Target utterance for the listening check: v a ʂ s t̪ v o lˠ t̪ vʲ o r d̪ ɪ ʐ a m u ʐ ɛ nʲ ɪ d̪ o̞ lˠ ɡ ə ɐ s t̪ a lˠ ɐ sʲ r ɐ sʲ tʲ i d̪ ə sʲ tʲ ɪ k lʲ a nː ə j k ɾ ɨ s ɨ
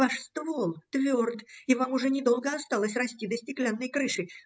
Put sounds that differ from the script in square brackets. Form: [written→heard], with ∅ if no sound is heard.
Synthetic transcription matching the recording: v a ʂ s t̪ v o lˠ t̪ vʲ o r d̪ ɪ [ʐ→v] a m [u→ʊ] ʐ ɛ nʲ ɪ d̪ o̞ lˠ ɡ ə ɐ s t̪ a lˠ [ɐ→ə] sʲ r ɐ sʲ tʲ i d̪ ə sʲ tʲ ɪ k lʲ a nː ə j k ɾ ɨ [s→ʂ] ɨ